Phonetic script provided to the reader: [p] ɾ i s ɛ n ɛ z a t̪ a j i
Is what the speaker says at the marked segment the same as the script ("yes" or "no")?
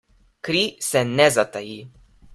no